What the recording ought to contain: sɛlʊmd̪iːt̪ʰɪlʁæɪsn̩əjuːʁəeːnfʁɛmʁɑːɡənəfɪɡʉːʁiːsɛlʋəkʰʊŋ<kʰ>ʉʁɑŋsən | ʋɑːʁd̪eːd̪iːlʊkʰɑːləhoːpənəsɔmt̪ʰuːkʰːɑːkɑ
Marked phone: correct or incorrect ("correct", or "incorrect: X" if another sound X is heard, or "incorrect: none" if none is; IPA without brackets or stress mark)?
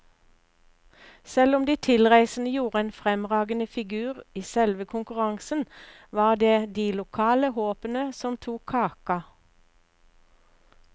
incorrect: k